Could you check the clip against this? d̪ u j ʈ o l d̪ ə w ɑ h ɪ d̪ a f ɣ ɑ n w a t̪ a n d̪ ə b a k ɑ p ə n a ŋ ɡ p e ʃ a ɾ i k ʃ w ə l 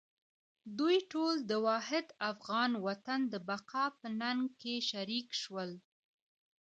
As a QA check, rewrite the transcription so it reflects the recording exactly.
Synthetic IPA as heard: d̪ u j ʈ o l d̪ ə w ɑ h ɪ d̪ a f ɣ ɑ n w a t̪ a n d̪ ə b a q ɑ p ə n a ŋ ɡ k e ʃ a ɾ i k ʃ w ə l